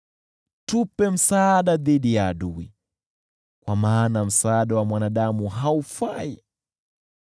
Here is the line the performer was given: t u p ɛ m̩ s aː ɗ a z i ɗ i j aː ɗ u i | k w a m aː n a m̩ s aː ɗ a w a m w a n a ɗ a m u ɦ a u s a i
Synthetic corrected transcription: t u p ɛ m̩ s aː ɗ a ð i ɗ i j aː ɗ u i | k w a m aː n a m̩ s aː ɗ a w a m w a n a ɗ a m u ɦ a u f a i